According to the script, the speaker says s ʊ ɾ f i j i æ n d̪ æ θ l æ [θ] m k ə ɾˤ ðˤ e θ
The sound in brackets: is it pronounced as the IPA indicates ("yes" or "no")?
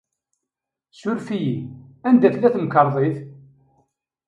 yes